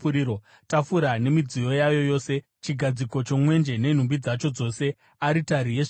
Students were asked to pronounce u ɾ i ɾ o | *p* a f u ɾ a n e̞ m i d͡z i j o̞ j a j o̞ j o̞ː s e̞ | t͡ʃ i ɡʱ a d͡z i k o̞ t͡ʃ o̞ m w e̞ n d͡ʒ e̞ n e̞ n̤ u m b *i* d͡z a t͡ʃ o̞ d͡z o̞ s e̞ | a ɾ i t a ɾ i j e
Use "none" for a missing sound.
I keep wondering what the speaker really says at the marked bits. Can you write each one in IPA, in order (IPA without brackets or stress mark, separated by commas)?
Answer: t, i